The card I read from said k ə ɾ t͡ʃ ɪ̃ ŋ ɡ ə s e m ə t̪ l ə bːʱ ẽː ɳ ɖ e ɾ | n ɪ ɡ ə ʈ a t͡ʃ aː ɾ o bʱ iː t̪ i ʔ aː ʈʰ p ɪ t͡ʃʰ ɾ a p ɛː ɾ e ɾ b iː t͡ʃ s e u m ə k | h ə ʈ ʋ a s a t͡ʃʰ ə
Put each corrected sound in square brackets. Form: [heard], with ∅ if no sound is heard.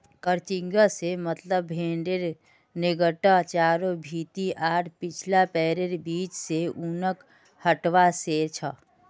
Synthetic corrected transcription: k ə ɾ t͡ʃ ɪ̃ ŋ ɡ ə s e m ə t̪ l ə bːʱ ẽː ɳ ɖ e ɾ | n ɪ ɡ ə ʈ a t͡ʃ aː ɾ o bʱ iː t̪ i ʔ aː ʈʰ p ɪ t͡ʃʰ [l] a p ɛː ɾ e ɾ b iː t͡ʃ s e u [n] ə k | h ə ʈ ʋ a s [e] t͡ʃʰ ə